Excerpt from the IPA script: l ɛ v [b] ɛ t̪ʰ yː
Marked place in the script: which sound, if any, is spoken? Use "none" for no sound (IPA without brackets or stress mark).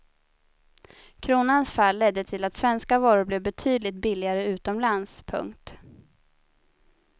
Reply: b